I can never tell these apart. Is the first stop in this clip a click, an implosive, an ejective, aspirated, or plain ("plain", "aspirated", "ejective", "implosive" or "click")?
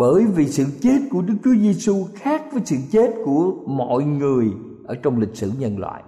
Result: implosive